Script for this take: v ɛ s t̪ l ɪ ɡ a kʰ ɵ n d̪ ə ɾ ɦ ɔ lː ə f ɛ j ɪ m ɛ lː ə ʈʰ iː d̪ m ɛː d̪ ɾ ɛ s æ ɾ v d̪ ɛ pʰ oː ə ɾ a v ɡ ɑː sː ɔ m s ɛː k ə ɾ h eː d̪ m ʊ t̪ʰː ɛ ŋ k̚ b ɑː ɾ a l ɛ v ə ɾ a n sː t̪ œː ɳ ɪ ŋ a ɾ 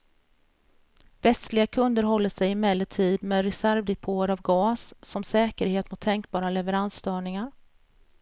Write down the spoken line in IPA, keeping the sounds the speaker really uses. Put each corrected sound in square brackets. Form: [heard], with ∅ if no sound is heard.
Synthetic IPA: v ɛ s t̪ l ɪ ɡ a kʰ ɵ n d̪ ə ɾ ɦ ɔ lː ə [ʂ] ɛ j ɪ m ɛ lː ə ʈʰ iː d̪ m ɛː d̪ ɾ ɛ s æ ɾ v d̪ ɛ pʰ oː ə ɾ a v ɡ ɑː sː ɔ m s ɛː k ə ɾ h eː [t̪] m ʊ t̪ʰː ɛ ŋ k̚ b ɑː ɾ a l ɛ v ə ɾ a n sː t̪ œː ɳ ɪ ŋ a ɾ